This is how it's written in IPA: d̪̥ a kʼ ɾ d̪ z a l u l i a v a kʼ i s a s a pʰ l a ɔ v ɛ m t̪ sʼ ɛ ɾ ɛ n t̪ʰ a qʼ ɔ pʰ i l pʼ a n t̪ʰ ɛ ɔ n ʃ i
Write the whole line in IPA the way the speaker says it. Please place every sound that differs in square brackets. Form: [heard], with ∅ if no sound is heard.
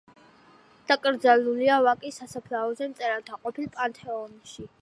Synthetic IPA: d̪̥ a kʼ ɾ d̪ z a l u l i a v a kʼ i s a s a pʰ l a ɔ [z] ɛ m t̪ sʼ ɛ ɾ [a] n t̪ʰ a qʼ ɔ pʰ i l pʼ a n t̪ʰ ɛ ɔ n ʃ i